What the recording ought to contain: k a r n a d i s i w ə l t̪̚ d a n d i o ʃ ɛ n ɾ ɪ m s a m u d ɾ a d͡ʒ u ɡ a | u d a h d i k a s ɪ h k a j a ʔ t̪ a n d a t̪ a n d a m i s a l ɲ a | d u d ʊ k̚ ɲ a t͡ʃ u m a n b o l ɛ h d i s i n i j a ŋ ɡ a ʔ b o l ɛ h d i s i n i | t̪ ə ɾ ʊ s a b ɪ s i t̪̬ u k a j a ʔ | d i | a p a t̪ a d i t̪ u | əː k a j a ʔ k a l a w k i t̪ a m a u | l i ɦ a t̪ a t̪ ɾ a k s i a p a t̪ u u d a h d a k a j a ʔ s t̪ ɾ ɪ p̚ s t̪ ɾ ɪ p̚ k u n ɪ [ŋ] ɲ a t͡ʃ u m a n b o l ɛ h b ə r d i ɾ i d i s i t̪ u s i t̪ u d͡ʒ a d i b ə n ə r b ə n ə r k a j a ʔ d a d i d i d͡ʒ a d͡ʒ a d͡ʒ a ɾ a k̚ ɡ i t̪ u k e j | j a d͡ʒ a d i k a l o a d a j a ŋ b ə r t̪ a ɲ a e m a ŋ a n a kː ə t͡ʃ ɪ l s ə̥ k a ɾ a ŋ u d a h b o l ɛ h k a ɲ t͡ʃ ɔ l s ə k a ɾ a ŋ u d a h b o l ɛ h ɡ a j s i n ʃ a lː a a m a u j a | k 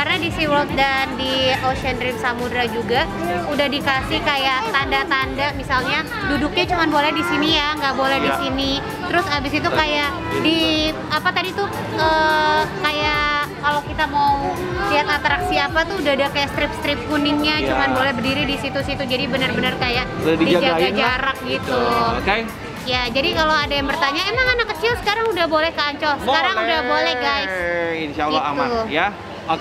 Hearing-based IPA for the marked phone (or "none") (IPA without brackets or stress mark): ŋ